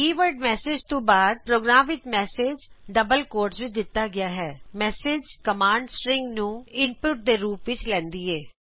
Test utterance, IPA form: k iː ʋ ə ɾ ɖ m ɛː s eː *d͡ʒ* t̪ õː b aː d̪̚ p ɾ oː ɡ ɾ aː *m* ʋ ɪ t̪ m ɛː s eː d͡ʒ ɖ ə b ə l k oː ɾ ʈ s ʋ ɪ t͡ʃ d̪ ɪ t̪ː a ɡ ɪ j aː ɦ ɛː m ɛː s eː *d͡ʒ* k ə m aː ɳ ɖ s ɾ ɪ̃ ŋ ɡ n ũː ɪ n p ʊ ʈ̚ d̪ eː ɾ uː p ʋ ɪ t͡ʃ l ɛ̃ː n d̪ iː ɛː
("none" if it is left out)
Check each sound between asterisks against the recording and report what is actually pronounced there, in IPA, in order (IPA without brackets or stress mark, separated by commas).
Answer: d͡ʒ, m, d͡ʒ